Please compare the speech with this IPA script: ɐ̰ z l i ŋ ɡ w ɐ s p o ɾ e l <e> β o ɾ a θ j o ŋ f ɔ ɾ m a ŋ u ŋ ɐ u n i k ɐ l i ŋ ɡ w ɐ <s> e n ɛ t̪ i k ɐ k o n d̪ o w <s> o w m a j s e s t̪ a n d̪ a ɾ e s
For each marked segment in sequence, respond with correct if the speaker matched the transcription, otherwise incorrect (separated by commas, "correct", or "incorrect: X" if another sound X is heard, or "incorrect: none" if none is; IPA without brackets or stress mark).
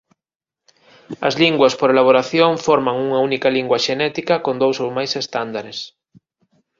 incorrect: a, incorrect: ʃ, correct